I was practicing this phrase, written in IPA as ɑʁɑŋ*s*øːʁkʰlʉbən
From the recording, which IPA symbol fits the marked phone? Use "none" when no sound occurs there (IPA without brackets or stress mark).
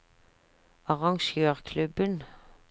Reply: ʃ